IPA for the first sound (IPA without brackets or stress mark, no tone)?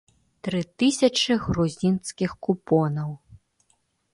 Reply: t̪